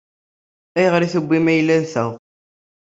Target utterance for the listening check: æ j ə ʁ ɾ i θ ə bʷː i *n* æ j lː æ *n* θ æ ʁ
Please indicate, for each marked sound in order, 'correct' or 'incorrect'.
incorrect, correct

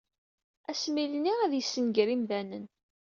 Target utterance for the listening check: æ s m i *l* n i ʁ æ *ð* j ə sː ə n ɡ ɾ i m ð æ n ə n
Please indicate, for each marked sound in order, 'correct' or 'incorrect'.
correct, correct

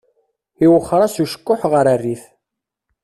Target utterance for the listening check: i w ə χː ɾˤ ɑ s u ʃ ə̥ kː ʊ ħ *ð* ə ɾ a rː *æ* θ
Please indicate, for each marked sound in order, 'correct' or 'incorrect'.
incorrect, incorrect

